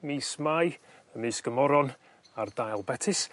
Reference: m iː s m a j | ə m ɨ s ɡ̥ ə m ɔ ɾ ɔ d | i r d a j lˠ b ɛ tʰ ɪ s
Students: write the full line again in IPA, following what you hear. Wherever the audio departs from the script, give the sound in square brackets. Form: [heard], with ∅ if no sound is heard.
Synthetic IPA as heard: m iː s m a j | ə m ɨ s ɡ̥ ə m ɔ ɾ ɔ [n] | [a] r d a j lˠ b ɛ tʰ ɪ s